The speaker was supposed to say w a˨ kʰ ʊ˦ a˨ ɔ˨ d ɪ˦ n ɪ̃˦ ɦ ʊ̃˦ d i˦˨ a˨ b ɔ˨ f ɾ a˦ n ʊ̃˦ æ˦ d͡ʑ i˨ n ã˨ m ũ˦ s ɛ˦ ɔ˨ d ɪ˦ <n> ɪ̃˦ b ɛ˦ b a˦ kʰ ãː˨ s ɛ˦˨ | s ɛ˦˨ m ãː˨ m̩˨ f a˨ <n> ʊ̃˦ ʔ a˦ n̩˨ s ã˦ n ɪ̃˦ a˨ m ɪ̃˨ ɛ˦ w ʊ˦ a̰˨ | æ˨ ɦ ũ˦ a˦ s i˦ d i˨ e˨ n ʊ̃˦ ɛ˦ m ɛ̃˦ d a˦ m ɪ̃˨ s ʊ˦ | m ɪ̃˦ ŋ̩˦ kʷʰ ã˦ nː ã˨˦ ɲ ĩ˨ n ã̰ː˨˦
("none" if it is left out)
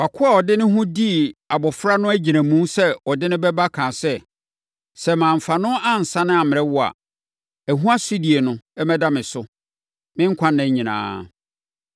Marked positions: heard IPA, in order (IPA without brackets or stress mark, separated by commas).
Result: n, n